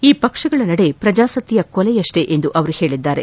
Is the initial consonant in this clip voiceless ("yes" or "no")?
yes